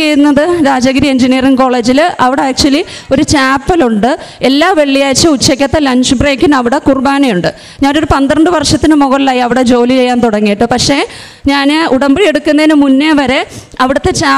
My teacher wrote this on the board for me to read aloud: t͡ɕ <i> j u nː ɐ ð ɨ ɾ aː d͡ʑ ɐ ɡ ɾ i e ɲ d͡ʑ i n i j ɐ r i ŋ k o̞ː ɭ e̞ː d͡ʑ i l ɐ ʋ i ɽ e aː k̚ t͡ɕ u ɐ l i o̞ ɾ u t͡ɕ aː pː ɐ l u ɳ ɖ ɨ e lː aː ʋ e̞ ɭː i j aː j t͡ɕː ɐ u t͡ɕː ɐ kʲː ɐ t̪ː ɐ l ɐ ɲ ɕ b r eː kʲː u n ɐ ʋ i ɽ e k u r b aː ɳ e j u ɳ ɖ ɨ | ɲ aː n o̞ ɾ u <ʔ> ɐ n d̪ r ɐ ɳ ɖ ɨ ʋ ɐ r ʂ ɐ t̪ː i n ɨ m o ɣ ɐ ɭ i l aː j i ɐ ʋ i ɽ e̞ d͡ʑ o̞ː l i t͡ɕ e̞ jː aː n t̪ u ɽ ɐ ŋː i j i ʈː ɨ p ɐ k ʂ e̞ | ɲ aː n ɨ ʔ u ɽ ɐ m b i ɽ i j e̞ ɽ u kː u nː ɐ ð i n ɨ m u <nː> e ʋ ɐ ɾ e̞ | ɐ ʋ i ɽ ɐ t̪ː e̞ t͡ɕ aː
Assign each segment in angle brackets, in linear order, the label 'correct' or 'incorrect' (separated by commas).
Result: incorrect, incorrect, correct